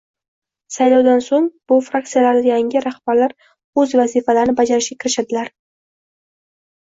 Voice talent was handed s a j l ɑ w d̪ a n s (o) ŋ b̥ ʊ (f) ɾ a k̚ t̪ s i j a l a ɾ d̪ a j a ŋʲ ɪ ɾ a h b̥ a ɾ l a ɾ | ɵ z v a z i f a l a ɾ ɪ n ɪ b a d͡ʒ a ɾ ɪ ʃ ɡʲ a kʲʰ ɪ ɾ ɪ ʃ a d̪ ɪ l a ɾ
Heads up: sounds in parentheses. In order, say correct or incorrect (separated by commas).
correct, correct